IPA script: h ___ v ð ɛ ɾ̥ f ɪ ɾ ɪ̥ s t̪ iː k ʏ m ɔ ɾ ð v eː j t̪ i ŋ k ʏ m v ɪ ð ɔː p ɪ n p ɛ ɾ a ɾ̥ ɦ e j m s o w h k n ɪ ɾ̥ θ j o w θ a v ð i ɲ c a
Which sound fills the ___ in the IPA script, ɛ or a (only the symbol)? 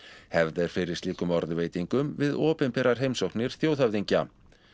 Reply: ɛ